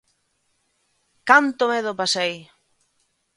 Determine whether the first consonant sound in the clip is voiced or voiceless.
voiceless